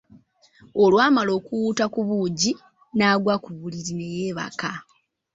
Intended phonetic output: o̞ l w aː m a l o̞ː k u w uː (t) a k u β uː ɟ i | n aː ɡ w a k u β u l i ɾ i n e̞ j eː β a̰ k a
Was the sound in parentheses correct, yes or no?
yes